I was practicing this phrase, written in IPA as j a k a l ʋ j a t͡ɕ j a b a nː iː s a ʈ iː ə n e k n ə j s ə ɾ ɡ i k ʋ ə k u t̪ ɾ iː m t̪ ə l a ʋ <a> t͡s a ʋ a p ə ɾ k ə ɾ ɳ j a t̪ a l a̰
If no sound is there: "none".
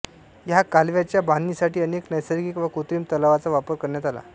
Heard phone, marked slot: a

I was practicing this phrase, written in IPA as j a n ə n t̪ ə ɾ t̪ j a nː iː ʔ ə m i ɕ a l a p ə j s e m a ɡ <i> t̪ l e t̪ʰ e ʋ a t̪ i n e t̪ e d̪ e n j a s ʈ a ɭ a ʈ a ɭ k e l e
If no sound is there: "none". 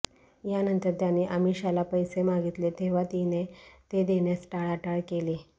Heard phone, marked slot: i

